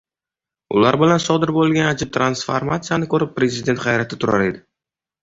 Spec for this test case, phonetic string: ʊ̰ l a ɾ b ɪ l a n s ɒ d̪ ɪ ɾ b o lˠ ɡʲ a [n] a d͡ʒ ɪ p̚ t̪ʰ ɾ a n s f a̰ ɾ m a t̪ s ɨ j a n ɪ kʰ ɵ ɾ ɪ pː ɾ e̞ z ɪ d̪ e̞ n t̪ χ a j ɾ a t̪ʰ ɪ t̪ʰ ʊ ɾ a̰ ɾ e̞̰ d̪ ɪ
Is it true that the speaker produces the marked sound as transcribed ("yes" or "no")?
yes